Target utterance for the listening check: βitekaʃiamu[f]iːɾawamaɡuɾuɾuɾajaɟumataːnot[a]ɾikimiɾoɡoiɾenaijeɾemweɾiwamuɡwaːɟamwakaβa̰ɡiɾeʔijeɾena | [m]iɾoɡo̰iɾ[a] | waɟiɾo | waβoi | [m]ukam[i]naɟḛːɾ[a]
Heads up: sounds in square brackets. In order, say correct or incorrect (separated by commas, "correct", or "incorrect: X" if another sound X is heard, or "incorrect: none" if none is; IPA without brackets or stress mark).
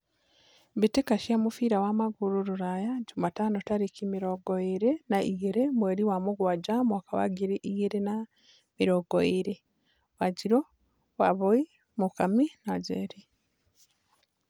correct, correct, correct, incorrect: e, correct, correct, incorrect: i